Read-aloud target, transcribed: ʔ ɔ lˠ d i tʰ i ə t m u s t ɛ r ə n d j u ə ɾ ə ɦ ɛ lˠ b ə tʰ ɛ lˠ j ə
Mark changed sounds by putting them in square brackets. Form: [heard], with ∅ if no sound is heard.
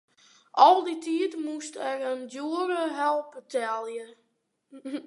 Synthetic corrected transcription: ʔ ɔ lˠ d i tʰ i ə t m u s t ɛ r ə n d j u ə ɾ ə ɦ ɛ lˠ [p] ə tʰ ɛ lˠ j ə